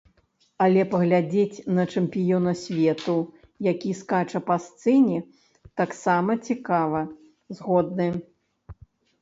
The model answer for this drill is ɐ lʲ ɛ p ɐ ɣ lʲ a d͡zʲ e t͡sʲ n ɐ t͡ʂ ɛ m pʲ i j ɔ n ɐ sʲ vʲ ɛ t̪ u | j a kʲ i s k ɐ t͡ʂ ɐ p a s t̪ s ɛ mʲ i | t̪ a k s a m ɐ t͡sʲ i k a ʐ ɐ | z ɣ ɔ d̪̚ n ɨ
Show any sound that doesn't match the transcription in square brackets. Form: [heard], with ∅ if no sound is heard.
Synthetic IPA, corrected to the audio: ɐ lʲ ɛ p ɐ ɣ lʲ a d͡zʲ e t͡sʲ n ɐ t͡ʂ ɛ m pʲ i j ɔ n ɐ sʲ vʲ ɛ t̪ u | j a kʲ i s k [a] t͡ʂ ɐ p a s t̪ s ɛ [nʲ] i | t̪ a k s a m ɐ t͡sʲ i k a [v] ɐ | z ɣ ɔ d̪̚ n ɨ